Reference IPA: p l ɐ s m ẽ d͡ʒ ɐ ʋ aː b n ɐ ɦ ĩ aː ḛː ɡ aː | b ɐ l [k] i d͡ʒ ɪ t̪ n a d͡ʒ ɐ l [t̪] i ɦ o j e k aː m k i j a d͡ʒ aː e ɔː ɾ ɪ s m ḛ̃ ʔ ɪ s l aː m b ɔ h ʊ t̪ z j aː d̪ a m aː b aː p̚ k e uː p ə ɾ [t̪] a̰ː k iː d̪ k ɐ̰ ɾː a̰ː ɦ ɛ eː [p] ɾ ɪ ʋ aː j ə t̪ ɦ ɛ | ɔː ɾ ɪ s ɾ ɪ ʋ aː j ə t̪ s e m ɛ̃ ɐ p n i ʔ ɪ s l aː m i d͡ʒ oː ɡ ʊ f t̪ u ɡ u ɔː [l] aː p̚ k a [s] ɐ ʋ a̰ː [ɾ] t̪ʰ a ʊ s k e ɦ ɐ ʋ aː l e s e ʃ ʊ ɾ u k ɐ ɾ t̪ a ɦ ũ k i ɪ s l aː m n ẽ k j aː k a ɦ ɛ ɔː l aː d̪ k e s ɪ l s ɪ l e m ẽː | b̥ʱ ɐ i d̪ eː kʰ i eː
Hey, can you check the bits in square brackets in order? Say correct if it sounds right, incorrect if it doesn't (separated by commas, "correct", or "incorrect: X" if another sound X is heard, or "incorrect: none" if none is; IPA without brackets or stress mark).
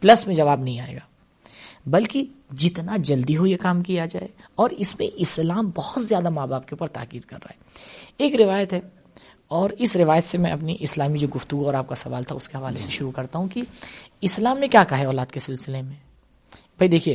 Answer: correct, incorrect: d̪, correct, incorrect: k, incorrect: ɾ, correct, incorrect: l